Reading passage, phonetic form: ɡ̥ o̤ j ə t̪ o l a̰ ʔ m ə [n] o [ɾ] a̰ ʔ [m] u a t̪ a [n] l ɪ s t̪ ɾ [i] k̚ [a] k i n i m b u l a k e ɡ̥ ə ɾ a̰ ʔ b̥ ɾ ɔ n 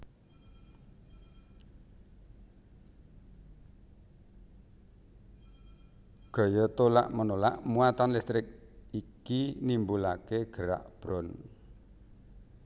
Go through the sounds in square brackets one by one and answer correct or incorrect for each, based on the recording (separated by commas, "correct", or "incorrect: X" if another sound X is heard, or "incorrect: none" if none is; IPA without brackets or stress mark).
correct, incorrect: l, correct, correct, incorrect: ɪ, incorrect: i